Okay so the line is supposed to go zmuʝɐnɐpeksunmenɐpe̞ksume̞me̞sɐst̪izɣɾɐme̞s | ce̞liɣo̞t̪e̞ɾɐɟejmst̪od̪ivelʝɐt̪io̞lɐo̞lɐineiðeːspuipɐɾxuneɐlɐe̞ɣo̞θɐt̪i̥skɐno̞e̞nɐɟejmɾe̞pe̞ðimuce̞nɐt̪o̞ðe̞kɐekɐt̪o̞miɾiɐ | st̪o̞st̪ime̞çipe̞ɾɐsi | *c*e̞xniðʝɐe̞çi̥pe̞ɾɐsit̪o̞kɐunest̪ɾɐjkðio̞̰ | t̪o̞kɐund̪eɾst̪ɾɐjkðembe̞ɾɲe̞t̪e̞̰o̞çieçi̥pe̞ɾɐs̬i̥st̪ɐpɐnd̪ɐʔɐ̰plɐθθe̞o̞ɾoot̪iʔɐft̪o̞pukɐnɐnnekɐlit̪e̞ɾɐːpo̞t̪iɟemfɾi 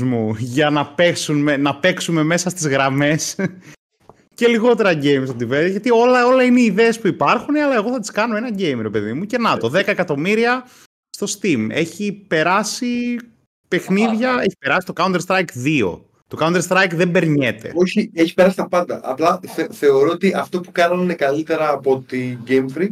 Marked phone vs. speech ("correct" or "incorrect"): incorrect